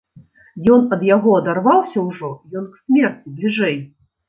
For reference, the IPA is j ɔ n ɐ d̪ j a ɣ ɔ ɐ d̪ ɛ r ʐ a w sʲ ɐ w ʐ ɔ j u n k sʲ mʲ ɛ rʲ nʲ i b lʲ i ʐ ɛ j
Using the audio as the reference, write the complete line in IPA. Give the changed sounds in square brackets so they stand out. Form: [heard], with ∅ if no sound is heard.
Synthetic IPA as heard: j ɔ n ɐ d̪ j a ɣ ɔ ɐ d̪ [a] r [v] a w sʲ ɐ w ʐ ɔ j [ɔ] n k sʲ mʲ ɛ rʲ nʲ i b lʲ i ʐ ɛ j